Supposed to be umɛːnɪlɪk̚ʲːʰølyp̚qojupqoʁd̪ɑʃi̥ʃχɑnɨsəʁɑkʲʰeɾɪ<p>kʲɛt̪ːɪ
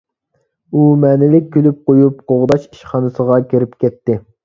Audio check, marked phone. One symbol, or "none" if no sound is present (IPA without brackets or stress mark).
p